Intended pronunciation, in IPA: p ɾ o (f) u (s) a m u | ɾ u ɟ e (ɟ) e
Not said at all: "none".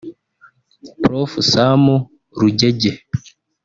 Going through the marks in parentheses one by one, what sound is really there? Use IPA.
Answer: f, s, ɟ

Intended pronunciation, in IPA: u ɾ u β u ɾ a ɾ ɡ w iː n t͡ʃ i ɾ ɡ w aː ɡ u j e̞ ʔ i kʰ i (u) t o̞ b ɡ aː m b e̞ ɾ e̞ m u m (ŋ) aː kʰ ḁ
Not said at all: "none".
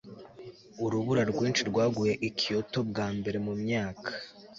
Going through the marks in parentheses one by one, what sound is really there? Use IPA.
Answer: o, ɲ

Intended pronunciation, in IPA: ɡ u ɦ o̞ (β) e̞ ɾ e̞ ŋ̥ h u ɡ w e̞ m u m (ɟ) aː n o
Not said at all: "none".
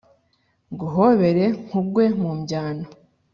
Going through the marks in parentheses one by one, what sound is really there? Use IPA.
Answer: β, ɟ

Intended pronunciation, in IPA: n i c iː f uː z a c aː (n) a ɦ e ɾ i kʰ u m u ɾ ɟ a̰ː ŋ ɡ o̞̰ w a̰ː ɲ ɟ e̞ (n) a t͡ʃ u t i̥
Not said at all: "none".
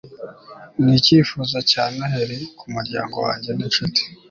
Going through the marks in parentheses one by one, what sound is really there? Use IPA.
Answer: n, n

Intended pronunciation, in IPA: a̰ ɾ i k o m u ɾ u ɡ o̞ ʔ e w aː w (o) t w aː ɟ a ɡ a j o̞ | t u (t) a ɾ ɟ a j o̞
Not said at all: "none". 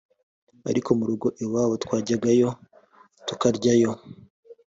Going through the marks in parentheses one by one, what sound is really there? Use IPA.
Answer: o, k

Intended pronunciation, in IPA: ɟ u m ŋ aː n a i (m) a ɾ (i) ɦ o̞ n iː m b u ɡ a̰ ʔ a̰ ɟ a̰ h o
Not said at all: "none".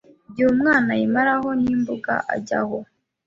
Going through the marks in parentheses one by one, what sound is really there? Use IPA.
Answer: m, a

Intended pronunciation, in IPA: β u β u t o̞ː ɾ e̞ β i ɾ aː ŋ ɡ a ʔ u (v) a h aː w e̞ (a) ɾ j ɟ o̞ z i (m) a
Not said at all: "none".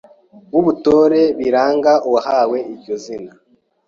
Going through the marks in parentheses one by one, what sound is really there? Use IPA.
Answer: w, i, n

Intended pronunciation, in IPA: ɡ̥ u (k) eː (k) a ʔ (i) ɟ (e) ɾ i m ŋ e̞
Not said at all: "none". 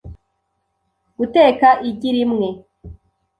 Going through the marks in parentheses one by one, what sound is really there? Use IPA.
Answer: t, k, i, i

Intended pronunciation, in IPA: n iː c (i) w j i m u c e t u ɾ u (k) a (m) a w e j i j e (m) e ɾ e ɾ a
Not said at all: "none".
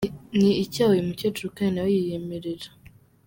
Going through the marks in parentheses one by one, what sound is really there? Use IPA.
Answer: a, k, n, m

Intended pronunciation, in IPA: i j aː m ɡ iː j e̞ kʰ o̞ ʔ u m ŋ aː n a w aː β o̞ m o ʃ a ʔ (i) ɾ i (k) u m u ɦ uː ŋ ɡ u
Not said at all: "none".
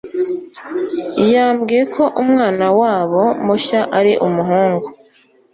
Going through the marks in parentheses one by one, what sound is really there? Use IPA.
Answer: a, ʔ

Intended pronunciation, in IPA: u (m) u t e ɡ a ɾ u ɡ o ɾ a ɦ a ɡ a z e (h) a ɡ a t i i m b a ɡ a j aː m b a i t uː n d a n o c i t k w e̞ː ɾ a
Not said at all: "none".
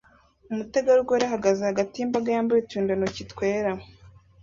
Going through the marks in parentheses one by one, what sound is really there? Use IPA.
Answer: m, h

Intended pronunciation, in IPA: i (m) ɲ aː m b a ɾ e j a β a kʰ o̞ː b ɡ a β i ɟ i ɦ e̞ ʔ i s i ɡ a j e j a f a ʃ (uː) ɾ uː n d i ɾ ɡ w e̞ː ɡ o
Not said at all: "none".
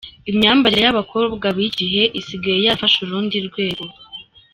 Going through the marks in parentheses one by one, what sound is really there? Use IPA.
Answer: m, u

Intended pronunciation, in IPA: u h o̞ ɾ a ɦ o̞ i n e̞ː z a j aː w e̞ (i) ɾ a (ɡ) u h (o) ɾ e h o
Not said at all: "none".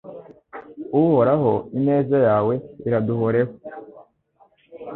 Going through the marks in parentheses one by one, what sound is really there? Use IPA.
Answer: i, d, o

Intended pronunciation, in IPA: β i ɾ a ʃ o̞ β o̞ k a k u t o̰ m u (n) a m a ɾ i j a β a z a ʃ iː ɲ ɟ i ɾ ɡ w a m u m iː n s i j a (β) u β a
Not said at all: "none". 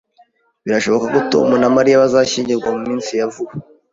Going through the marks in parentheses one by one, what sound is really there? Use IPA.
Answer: n, v

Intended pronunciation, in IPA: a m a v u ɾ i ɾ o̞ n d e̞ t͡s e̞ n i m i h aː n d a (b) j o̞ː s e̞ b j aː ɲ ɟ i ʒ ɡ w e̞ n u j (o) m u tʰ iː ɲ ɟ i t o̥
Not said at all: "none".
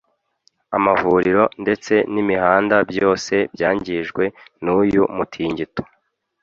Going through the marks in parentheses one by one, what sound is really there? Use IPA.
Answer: b, u

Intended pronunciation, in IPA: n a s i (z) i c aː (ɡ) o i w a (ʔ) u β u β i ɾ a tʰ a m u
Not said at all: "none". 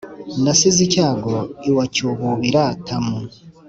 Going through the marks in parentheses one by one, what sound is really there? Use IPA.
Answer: z, ɡ, c

